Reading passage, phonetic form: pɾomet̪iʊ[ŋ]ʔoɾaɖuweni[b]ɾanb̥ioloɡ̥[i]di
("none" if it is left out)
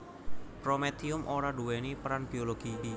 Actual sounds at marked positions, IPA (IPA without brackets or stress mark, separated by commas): m, p, i